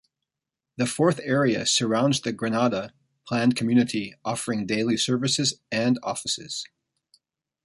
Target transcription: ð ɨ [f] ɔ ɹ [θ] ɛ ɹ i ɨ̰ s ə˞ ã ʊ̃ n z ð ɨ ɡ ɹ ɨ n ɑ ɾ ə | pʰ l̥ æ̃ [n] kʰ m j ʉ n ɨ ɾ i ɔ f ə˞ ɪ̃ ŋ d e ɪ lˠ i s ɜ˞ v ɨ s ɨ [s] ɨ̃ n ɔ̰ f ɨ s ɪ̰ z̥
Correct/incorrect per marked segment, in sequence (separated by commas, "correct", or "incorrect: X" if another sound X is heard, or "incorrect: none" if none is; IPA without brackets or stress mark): correct, correct, correct, incorrect: z